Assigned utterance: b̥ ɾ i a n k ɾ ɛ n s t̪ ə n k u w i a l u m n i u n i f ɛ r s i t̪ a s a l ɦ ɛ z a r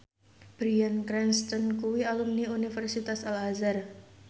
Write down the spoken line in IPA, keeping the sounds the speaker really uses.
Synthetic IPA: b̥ ɾ i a n k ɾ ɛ n s t̪ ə n k u w i a l u m n i u n i f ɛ r s i t̪ a s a l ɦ a z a r